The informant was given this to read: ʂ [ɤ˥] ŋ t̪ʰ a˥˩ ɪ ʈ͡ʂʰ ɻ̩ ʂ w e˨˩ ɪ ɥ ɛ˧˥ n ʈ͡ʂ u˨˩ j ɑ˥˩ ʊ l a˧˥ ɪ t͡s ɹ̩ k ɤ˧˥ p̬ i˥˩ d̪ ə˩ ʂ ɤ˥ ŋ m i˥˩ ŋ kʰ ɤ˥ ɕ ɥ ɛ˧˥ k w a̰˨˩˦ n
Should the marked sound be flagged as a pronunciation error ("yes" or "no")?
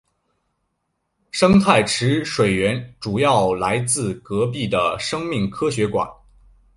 no